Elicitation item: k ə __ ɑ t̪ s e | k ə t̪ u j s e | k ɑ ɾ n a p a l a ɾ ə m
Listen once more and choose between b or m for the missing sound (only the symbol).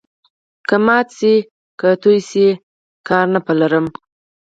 m